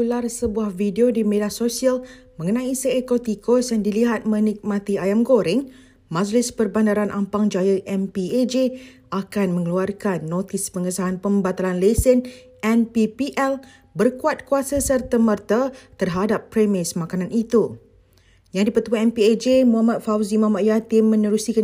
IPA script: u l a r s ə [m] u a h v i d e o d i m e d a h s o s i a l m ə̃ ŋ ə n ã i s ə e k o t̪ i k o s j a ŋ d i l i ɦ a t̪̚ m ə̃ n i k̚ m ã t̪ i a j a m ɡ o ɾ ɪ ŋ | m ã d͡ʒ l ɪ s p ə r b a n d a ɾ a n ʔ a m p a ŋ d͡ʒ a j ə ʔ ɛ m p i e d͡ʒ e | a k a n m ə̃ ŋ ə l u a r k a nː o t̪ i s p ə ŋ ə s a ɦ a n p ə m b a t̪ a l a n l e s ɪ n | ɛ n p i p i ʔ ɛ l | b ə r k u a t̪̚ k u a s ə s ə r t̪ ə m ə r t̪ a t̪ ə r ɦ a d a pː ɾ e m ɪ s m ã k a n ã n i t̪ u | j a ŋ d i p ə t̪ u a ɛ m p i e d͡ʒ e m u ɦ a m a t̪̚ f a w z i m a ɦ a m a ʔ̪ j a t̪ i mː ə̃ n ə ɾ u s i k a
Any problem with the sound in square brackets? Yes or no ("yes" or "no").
yes